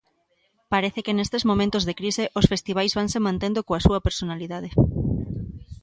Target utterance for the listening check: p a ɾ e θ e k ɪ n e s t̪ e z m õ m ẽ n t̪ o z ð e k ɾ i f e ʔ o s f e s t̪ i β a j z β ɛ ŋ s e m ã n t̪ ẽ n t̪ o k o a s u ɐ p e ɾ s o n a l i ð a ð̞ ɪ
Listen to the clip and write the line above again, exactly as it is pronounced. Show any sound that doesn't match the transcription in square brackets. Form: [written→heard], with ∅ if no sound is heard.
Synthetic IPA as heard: p a ɾ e θ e k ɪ n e s t̪ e z m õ m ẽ n t̪ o z ð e k ɾ i [f→s] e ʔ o s f e s t̪ i β a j z β [ɛ→a] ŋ s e m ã n t̪ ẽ n [t̪→d̪] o k o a s u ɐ p e ɾ s o n a l i ð a ð̞ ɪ